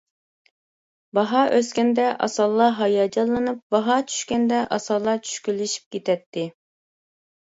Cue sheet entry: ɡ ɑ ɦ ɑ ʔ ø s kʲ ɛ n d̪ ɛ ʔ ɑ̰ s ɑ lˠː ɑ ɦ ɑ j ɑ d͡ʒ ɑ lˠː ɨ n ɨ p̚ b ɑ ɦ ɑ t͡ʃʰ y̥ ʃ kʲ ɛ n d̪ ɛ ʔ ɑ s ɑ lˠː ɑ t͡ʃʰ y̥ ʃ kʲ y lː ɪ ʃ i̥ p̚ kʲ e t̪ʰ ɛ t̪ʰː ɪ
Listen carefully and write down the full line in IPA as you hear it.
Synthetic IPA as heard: b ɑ ɦ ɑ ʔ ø s kʲ ɛ n d̪ ɛ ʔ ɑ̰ s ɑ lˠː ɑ ɦ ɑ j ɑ d͡ʒ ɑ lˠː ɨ n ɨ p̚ b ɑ ɦ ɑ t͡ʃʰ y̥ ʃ kʲ ɛ n d̪ ɛ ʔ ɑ s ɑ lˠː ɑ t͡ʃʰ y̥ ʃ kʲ y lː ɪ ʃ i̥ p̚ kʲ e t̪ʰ ɛ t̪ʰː ɪ